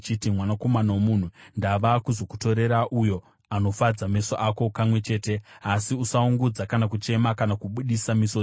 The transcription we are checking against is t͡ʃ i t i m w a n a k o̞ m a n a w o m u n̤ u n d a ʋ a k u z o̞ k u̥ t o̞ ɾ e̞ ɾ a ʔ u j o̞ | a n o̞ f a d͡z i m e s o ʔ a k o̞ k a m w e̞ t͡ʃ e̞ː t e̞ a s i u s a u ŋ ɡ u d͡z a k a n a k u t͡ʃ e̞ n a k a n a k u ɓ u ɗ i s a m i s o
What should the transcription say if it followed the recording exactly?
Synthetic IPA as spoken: t͡ʃ i t i m w a n a k o̞ m a n a w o m u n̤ u n d a ʋ a k u z o̞ k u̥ t o̞ ɾ e̞ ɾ a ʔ u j o̞ | a n o̞ f a d͡z a m e s o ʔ a k o̞ k a m w e̞ t͡ʃ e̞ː t e̞ a s i u s a u ŋ ɡ u d͡z a k a n a k u t͡ʃ e̞ m a k a n a k u ɓ u ɗ i s a m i s o